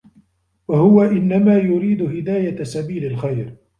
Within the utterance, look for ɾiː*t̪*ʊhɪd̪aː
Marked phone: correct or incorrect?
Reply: incorrect